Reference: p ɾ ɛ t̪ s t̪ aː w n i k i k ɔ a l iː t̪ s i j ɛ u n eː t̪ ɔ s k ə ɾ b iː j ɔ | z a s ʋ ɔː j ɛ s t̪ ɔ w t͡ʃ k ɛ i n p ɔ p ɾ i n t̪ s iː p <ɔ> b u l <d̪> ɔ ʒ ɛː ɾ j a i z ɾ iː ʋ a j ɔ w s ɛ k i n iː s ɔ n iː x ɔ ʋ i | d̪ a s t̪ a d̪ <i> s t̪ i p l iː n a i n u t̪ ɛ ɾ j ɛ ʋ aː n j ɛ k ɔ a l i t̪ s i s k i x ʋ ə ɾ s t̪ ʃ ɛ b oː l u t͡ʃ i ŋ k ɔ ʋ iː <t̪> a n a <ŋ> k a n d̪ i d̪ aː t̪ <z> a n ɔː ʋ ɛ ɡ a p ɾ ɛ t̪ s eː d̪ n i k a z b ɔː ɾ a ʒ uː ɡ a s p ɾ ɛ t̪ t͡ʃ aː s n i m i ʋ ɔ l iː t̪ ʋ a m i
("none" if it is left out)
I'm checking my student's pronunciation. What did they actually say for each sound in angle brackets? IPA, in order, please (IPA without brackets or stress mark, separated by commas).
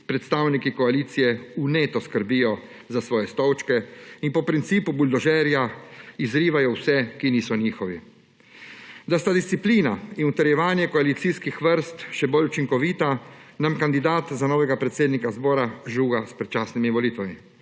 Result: u, d̪, i, t̪, m, z